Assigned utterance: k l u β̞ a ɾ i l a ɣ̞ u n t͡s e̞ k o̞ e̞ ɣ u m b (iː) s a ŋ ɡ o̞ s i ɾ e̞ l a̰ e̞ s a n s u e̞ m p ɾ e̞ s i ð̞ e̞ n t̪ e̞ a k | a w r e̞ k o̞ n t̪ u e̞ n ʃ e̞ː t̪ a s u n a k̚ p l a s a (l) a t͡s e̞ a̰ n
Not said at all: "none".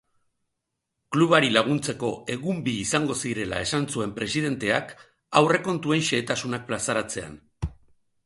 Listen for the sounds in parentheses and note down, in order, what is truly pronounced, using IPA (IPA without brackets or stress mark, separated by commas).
iː, ɾ